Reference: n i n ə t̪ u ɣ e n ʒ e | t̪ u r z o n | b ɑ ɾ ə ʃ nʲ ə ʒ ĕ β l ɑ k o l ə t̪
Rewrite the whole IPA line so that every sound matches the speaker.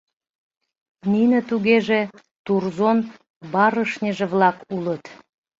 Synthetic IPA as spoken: n i n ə t̪ u ɣ e ʒ e | t̪ u r z o n | b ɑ ɾ ə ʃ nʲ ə ʒ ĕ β l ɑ k u l ə t̪